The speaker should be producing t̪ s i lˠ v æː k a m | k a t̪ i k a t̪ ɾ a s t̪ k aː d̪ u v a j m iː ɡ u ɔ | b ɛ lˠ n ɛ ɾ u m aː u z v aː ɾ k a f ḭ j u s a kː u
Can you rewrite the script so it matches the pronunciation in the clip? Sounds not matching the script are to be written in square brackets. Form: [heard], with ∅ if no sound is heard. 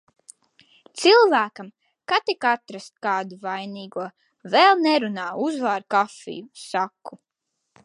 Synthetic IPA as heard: t̪ s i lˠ v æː k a m | k a t̪ i k a t̪ ɾ a s t̪ k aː d̪ u v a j [n] iː ɡ u ɔ | [v] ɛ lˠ n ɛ ɾ u [n] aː u z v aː ɾ k a f ḭ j u s a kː u